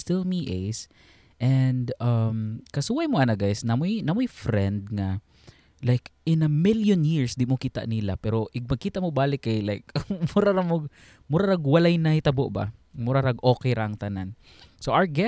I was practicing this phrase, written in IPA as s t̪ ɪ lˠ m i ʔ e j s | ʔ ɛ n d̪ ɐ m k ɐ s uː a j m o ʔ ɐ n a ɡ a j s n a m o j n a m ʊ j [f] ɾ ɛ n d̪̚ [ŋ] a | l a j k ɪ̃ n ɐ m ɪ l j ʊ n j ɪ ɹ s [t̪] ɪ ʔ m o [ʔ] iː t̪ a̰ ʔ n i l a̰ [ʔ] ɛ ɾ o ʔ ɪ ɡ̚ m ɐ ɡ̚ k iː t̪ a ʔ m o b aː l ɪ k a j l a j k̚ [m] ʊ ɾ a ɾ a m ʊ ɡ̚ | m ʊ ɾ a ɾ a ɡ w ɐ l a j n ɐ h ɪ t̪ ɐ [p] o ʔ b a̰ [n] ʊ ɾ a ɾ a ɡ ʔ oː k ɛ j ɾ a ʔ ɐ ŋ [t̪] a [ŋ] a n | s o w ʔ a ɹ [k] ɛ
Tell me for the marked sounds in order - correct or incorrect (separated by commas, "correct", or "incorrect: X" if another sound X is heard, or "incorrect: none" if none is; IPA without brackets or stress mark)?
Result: correct, correct, incorrect: d̪, incorrect: k, incorrect: p, correct, incorrect: b, incorrect: m, correct, incorrect: n, incorrect: ɡ